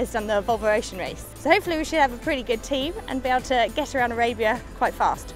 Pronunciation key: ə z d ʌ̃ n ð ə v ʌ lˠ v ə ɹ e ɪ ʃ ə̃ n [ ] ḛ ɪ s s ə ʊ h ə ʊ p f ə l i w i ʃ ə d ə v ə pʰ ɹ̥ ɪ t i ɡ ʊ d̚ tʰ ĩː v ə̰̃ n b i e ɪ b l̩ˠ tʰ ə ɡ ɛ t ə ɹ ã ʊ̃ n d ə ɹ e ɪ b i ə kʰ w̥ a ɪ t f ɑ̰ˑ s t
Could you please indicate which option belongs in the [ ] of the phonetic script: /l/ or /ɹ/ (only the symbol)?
ɹ